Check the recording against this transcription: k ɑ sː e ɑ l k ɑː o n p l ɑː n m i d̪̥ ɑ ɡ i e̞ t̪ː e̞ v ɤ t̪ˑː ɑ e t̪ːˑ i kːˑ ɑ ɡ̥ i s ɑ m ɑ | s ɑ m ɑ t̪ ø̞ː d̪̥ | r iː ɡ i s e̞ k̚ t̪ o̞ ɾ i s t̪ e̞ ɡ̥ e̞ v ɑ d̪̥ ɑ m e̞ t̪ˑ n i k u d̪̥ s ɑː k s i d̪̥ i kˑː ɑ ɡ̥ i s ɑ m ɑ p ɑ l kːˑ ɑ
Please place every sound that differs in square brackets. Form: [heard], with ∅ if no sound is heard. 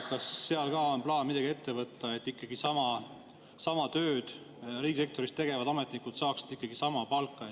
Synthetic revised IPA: k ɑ sː e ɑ l k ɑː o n p l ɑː n m i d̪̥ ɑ ɡ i e̞ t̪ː e̞ v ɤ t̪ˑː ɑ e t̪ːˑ i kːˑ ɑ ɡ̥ i s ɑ m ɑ | s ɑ m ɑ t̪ ø̞ː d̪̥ | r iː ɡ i s e̞ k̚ t̪ o̞ ɾ i s t̪ e̞ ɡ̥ e̞ v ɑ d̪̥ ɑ m e̞ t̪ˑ n i k u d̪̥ s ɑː k s i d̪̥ i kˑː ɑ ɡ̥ i s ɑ m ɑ p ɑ l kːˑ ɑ